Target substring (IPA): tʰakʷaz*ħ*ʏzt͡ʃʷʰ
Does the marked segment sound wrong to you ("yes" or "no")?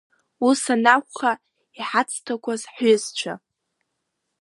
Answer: no